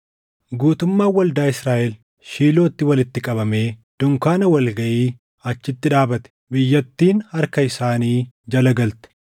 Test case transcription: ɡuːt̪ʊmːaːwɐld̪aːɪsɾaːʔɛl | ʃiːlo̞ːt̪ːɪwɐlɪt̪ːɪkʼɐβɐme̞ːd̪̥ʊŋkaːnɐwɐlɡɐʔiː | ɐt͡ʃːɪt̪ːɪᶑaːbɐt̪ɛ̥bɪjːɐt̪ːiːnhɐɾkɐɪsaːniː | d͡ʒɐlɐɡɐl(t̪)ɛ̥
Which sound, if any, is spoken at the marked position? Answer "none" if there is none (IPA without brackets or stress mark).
t̪